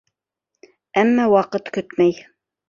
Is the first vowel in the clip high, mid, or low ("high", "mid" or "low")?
low